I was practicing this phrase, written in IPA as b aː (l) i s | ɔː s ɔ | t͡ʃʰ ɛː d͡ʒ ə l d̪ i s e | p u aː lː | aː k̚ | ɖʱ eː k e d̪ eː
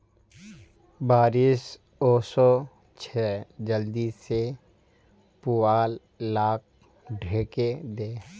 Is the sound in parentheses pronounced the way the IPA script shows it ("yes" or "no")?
no